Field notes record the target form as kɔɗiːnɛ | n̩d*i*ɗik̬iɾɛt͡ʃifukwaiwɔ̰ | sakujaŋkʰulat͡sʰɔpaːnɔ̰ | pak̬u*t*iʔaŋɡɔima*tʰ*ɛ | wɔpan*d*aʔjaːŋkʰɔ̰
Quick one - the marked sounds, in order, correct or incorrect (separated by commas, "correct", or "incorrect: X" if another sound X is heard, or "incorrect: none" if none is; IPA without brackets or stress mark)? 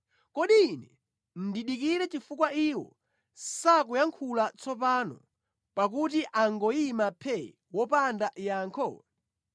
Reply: correct, correct, incorrect: pʰ, correct